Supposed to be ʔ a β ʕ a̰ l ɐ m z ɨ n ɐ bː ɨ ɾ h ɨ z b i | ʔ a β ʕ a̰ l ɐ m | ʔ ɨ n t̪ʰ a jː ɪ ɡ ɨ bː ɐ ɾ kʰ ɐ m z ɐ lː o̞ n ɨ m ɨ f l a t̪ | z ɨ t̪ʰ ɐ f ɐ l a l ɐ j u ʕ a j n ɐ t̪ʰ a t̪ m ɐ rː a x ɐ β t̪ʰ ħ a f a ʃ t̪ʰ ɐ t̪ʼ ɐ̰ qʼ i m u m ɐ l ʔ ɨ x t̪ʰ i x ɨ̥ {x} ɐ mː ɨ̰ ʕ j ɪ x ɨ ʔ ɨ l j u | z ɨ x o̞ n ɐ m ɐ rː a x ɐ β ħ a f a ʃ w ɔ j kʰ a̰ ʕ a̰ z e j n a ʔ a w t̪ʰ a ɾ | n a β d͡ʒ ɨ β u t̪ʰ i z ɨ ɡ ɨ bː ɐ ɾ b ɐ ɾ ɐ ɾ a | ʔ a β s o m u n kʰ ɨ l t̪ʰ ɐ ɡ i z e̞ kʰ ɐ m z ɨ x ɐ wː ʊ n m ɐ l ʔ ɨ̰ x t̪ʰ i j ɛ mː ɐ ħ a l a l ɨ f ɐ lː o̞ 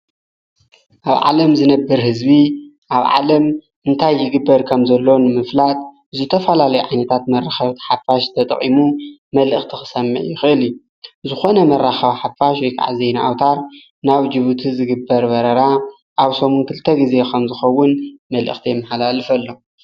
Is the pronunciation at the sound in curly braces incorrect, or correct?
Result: incorrect